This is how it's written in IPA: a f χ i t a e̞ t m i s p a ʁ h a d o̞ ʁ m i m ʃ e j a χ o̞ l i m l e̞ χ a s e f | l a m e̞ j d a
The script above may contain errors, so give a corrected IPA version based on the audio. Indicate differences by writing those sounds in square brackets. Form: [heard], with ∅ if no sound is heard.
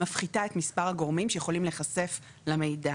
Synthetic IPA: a f χ i t a e̞ t m i s p a ʁ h a [ɡ] o̞ ʁ m i m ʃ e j [e] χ o̞ l i m l e̞ χ a s e f | l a m e̞ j d a